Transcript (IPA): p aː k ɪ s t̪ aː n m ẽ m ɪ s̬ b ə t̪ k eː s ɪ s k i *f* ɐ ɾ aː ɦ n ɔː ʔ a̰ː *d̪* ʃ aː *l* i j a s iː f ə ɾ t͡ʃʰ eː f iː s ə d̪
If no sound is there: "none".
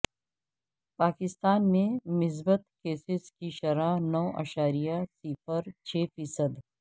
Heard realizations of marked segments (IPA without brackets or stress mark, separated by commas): ʃ, none, ɾ